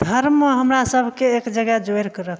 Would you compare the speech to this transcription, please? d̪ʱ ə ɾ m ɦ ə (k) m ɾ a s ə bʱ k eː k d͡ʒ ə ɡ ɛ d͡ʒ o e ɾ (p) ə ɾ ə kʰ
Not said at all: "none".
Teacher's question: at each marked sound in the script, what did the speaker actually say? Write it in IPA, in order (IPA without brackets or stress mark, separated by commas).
none, k